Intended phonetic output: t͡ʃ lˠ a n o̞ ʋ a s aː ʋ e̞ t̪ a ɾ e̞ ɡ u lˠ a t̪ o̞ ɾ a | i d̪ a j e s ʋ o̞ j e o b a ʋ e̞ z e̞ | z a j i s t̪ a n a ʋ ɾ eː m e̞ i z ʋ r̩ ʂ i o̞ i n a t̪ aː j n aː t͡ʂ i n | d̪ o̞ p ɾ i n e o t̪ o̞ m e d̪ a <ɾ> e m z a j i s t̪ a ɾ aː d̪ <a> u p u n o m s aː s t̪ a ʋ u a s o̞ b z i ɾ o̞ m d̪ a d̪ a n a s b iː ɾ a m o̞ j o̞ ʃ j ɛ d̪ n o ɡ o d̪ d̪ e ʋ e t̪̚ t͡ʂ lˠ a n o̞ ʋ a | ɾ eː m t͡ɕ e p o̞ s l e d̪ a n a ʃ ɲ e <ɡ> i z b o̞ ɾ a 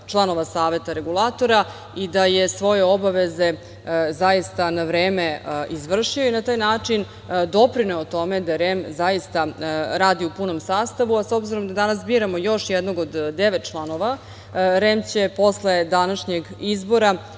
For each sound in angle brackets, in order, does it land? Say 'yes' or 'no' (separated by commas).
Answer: yes, no, yes